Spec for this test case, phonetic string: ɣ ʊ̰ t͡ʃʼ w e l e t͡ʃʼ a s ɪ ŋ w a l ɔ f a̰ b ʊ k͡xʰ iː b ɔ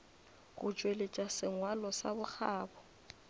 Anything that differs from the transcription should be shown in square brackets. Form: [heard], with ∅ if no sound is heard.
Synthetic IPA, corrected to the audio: ɣ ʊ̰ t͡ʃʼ w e l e t͡ʃʼ a s ɪ ŋ w a l ɔ [s] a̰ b ʊ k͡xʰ [aː] b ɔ

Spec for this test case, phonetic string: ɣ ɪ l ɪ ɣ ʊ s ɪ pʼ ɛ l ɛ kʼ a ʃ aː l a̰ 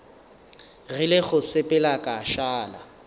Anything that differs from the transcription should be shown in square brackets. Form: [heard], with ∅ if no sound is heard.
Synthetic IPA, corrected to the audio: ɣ ɪ l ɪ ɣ ʊ s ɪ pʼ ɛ l [a] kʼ a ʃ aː l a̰

